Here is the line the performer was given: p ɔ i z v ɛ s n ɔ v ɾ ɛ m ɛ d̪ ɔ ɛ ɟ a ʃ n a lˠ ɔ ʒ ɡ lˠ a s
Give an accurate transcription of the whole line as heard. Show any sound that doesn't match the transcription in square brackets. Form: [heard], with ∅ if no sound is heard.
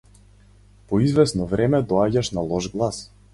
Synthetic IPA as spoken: p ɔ i z v ɛ s n ɔ v ɾ ɛ m ɛ d̪ ɔ [a] ɟ a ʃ n a lˠ ɔ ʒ ɡ lˠ a s